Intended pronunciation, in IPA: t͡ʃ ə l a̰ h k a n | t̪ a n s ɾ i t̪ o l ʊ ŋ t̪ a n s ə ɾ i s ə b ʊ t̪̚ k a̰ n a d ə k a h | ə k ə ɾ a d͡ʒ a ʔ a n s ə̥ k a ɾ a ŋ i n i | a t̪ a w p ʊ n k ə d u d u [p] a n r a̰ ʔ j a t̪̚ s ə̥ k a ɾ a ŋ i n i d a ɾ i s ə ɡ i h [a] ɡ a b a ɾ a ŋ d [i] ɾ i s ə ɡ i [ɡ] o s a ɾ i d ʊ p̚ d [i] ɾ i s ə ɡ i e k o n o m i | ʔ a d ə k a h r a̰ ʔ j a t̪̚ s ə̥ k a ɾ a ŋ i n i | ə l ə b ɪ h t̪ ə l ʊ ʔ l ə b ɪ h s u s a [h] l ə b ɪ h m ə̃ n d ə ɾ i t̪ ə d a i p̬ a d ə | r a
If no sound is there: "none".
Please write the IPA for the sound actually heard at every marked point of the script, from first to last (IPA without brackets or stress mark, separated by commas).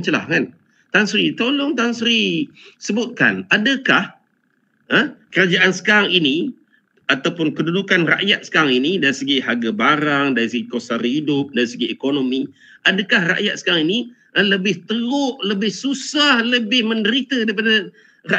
k, a, a, k, a, h